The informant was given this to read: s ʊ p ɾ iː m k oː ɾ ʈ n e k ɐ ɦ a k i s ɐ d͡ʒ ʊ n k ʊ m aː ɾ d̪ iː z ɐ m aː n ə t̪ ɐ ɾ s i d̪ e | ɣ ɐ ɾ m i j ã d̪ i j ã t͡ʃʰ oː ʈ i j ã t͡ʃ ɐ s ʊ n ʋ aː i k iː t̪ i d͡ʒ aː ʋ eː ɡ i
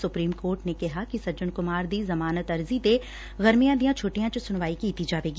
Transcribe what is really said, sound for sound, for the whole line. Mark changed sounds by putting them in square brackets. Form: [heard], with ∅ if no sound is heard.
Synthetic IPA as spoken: s ʊ p ɾ iː m k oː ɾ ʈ n e k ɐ ɦ a k i s ɐ d͡ʒ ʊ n k ʊ m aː ɾ d̪ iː z ɐ m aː n ə t̪ ɐ ɾ [z] i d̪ e | ɣ ɐ ɾ m i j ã d̪ i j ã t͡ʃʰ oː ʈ i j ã t͡ʃ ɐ s ʊ n ʋ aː i k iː t̪ i d͡ʒ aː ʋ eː ɡ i